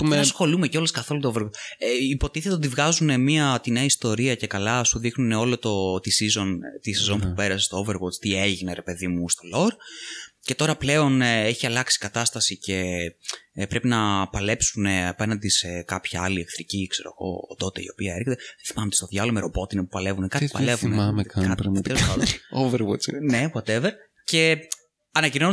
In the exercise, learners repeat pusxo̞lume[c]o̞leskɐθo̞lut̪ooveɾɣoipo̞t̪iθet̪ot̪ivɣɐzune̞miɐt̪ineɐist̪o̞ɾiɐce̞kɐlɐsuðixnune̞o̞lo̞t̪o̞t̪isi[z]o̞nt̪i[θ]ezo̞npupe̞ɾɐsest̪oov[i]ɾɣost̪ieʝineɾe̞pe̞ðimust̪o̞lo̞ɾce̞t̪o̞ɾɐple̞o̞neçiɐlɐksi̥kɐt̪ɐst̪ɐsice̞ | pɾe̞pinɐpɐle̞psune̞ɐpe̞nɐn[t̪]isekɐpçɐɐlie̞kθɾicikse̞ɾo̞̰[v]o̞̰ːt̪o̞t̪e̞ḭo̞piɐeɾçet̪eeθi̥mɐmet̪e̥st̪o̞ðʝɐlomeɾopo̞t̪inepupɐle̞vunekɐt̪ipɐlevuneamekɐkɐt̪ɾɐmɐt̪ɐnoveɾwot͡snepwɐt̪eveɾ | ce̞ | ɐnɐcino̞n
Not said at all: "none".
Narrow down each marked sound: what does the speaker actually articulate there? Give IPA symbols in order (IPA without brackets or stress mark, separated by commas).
c, z, s, e, d̪, ɣ